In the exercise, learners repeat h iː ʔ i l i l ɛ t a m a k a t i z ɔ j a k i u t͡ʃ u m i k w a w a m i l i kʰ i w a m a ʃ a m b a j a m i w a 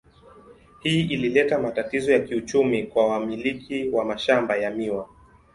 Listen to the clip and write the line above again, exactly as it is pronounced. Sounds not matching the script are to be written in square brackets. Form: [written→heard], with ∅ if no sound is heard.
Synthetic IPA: h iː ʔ i l i l ɛ t a m a [k→t] a t i z ɔ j a k i u t͡ʃ u m i k w a w a m i l i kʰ i w a m a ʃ a m b a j a m i w a